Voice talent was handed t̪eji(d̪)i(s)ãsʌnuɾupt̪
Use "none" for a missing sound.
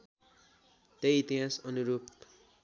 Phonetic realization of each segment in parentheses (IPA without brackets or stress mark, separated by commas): t̪, none